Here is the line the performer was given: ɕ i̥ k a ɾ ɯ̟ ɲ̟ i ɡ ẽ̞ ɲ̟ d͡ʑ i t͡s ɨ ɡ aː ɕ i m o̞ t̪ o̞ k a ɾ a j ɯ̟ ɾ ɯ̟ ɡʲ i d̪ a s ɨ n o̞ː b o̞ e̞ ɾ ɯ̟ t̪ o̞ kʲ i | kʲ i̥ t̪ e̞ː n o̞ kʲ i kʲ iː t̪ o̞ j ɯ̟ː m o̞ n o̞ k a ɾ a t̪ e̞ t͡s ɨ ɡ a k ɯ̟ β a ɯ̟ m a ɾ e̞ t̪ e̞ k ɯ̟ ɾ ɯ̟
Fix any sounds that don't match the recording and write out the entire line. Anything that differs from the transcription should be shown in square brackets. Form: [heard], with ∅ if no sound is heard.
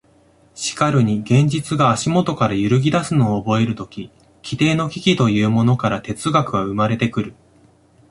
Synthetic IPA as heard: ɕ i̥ k a ɾ ɯ̟ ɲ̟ i ɡ ẽ̞ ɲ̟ d͡ʑ i t͡s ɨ ɡ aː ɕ i m o̞ t̪ o̞ k a ɾ a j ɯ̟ ɾ ɯ̟ ɡʲ i d̪ a s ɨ n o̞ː b o̞ e̞ ɾ ɯ̟ t̪ o̞ kʲ i | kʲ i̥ t̪ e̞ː n o̞ kʲ i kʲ [i] t̪ o̞ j ɯ̟ː m o̞ n o̞ k a ɾ a t̪ e̞ t͡s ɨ ɡ a k ɯ̟ β a ɯ̟ m a ɾ e̞ t̪ e̞ k ɯ̟ ɾ ɯ̟